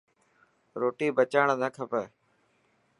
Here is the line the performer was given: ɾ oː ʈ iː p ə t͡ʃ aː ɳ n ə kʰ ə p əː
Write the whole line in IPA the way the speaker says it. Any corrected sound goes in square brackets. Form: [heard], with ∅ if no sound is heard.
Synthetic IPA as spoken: ɾ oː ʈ iː [b] ə t͡ʃ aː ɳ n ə kʰ ə p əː